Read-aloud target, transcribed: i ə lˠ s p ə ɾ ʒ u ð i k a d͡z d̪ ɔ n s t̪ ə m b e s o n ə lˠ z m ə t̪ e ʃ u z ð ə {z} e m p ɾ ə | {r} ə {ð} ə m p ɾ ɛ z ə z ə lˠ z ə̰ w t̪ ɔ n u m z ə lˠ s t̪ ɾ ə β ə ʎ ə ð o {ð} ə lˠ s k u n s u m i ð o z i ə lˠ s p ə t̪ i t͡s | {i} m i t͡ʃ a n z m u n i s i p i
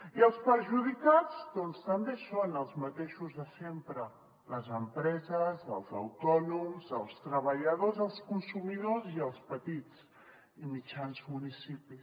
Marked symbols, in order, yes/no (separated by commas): no, no, no, no, yes